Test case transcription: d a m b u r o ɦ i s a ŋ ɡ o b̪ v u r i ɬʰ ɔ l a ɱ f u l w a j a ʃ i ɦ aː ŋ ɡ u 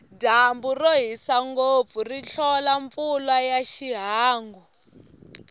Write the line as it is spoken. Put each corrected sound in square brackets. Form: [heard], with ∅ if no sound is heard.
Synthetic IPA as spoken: d a m b u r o ɦ i s a ŋ ɡ o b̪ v u r i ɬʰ ɔ l a ɱ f u l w a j a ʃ i ɦ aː ŋ ɡ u